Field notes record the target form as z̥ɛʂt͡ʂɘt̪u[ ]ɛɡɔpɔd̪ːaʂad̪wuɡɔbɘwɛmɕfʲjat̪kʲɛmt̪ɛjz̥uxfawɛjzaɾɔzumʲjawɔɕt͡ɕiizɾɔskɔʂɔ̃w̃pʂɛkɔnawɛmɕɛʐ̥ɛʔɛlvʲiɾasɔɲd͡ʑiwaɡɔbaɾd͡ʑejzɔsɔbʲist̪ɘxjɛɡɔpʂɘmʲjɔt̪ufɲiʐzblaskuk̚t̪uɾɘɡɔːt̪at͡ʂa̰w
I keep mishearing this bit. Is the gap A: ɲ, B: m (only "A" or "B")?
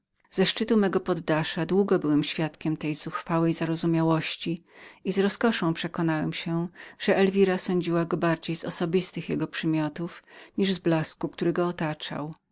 B